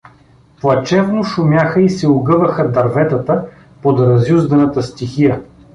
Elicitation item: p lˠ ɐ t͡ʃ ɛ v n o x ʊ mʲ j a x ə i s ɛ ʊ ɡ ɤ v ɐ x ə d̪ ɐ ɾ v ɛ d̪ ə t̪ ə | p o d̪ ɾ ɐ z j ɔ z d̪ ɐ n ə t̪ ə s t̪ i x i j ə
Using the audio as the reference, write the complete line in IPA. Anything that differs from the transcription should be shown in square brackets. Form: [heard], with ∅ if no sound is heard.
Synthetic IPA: p lˠ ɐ t͡ʃ ɛ v n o [ʃ] ʊ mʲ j a x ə i s ɛ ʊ ɡ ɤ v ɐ x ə d̪ ɐ ɾ v ɛ [t̪] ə t̪ ə | p o d̪ ɾ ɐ z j [u] z d̪ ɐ n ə t̪ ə s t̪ i x i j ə